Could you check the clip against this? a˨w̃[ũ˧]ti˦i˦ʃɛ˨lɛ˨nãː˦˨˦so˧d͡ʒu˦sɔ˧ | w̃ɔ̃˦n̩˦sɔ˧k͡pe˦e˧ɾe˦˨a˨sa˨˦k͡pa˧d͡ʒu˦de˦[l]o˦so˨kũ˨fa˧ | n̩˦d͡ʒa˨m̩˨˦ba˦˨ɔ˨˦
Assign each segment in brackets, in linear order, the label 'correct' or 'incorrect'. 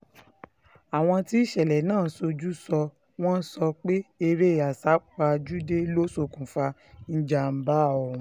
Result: incorrect, correct

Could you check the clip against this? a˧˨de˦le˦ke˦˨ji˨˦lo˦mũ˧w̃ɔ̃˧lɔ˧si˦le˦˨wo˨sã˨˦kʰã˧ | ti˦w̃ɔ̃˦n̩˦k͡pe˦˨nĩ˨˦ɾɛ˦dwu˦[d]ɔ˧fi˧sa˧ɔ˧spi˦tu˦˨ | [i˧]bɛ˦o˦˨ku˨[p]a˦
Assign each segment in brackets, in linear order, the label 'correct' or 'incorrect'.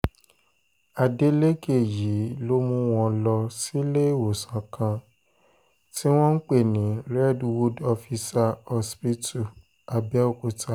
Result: correct, incorrect, incorrect

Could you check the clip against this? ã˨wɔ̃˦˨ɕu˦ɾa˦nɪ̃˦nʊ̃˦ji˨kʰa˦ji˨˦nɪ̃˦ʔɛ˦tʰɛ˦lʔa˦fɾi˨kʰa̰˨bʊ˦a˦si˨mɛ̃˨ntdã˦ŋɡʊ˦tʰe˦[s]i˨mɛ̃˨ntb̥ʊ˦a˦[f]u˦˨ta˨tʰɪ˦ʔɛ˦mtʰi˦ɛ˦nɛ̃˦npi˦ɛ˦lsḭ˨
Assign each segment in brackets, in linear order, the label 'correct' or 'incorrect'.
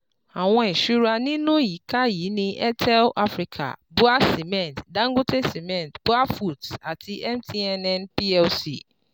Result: correct, correct

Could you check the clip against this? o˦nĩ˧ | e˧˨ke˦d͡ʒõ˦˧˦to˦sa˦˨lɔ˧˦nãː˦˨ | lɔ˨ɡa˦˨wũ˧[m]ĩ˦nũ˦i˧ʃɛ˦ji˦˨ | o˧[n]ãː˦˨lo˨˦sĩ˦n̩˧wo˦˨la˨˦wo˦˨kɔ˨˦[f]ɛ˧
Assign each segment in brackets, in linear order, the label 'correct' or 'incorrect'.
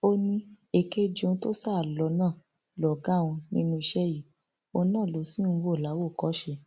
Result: incorrect, correct, incorrect

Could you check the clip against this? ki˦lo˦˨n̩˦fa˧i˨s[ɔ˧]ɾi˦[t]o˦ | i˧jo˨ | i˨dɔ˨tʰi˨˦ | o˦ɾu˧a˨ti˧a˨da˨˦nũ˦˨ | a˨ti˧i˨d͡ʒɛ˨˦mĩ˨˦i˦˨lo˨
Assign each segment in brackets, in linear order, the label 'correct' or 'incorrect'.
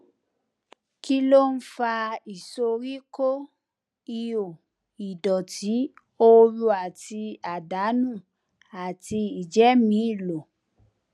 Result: incorrect, incorrect

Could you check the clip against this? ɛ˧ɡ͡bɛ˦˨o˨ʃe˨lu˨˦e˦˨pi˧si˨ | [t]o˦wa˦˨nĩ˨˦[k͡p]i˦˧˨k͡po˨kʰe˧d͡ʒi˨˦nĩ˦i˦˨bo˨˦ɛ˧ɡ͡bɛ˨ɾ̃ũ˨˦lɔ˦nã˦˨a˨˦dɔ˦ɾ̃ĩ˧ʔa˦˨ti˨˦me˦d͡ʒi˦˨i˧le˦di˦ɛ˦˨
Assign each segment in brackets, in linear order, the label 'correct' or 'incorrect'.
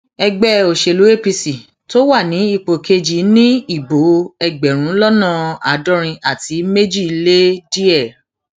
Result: correct, incorrect

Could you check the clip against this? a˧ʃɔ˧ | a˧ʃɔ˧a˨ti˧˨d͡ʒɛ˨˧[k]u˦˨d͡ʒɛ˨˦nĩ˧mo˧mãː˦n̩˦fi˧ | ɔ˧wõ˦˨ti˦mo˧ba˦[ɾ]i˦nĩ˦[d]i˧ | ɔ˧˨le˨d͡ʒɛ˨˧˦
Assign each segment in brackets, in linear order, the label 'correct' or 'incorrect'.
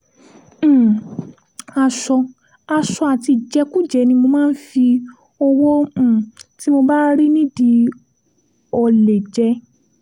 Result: correct, correct, correct

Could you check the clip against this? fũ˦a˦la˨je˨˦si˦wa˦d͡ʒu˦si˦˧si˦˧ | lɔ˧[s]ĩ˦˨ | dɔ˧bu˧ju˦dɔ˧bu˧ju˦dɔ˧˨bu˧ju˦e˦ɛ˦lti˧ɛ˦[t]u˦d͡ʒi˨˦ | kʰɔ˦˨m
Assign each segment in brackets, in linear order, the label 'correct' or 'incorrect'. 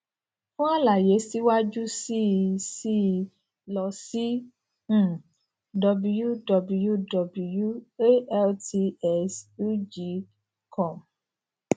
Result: correct, incorrect

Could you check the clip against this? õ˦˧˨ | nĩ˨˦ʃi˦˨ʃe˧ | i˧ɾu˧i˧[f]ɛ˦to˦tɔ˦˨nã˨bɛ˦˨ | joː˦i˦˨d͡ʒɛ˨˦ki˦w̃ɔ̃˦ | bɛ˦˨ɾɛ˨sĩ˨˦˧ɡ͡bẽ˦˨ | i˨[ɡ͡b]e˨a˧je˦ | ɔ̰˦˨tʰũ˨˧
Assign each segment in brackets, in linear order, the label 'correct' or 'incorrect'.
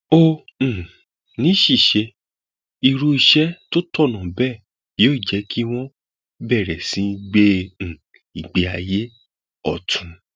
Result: incorrect, correct

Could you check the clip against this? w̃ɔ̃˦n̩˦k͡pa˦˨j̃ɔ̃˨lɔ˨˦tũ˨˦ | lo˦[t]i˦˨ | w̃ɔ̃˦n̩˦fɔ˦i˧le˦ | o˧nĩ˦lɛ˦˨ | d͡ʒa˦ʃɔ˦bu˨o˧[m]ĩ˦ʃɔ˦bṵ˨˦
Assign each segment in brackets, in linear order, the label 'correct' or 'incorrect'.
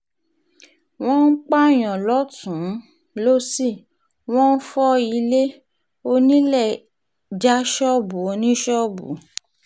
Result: incorrect, incorrect

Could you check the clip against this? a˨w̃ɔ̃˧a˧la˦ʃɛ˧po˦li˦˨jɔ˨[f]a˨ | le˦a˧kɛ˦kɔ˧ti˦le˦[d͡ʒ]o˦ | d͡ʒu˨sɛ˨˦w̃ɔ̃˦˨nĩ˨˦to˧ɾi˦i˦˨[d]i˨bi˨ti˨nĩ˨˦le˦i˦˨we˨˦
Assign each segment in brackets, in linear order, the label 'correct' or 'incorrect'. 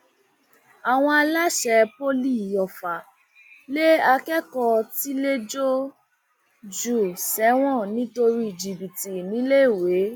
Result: correct, correct, incorrect

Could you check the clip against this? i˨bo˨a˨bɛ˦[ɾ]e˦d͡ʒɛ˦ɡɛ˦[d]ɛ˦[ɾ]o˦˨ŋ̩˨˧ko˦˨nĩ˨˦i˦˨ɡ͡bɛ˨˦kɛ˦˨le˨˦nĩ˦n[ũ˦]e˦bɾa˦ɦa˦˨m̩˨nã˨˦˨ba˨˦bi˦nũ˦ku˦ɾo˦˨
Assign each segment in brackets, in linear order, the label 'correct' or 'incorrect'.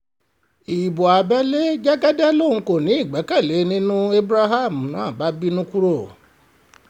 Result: incorrect, correct, incorrect, correct

